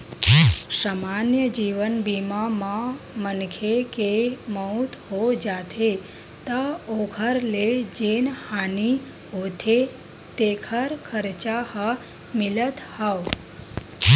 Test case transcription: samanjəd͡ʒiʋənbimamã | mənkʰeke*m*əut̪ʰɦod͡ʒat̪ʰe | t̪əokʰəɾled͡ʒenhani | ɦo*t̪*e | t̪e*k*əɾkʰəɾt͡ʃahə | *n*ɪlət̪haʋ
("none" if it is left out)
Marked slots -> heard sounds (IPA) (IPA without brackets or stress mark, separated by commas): m, t̪ʰ, kʰ, m